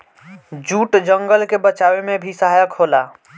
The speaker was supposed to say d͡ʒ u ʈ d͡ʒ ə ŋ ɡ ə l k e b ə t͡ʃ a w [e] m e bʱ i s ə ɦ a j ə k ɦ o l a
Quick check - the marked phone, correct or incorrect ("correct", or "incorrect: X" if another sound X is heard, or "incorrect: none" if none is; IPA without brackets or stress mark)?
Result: correct